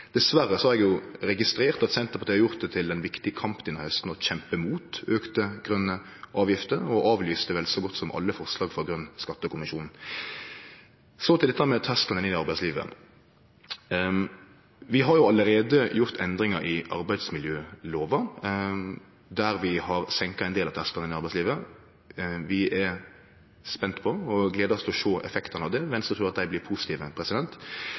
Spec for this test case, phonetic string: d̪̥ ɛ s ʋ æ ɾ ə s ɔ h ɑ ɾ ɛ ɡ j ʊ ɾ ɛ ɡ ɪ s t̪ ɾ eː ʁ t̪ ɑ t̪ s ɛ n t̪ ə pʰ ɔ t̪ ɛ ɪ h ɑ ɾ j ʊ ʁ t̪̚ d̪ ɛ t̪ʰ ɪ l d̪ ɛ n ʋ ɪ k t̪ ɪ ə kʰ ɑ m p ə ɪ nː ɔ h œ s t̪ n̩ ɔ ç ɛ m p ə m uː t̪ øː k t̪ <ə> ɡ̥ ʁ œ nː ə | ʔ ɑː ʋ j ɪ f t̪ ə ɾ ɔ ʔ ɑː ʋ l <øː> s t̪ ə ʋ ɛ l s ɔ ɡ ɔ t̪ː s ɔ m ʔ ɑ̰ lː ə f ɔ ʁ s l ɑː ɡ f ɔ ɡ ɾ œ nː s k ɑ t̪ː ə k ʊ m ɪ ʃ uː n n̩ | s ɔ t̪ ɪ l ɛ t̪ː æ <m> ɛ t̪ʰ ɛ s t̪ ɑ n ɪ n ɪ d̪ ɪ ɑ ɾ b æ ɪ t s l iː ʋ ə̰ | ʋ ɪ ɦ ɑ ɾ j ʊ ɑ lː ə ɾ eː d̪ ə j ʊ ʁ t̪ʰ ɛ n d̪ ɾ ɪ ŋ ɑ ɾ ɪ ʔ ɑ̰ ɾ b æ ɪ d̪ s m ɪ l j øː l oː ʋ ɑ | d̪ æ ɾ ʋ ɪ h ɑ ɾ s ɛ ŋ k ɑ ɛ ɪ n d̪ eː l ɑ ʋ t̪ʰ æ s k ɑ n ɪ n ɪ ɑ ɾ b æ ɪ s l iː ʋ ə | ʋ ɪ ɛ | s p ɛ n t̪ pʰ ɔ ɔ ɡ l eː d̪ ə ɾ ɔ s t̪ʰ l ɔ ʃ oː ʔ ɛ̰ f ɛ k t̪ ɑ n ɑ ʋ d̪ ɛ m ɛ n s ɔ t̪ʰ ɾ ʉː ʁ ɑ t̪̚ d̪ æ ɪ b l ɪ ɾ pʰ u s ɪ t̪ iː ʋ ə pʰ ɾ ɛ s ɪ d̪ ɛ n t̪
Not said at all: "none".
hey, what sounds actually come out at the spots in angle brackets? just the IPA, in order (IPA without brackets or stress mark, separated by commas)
ə, yː, m